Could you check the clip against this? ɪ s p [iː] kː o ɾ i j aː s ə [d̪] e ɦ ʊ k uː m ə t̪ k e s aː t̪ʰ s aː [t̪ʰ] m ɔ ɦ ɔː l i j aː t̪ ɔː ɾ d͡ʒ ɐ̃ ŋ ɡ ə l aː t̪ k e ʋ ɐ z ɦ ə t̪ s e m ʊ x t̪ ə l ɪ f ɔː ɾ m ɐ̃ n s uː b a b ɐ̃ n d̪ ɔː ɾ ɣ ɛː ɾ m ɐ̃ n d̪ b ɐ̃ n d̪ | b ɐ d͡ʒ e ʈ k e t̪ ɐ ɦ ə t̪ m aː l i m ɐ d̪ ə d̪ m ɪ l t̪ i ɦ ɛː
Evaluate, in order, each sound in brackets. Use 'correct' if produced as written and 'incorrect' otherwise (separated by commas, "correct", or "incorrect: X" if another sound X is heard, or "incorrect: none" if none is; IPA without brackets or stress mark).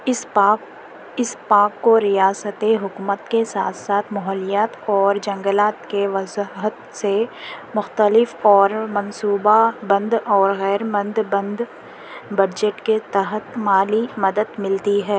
incorrect: aː, incorrect: t̪, correct